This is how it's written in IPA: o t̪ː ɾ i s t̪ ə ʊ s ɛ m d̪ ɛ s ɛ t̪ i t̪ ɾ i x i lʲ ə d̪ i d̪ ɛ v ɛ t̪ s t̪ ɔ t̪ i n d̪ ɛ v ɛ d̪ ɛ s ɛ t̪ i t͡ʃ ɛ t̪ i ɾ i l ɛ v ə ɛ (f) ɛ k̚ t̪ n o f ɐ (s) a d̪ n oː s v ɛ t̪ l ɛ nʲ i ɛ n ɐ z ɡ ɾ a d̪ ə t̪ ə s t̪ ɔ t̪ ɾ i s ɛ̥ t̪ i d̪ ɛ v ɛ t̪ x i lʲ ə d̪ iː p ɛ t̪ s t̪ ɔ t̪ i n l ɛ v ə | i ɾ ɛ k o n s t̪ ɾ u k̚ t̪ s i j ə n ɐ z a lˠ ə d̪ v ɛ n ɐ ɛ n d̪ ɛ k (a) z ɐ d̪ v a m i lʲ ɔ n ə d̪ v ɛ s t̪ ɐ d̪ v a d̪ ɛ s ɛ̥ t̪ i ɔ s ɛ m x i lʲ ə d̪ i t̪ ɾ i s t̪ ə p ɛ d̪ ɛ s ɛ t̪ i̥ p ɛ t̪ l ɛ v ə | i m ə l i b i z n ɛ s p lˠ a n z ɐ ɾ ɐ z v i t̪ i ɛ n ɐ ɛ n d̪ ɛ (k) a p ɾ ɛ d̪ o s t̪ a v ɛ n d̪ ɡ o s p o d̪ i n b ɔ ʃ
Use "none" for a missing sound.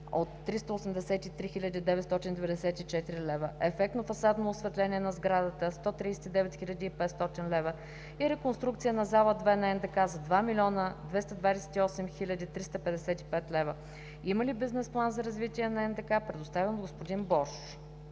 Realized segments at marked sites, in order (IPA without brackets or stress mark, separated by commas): f, s, a, k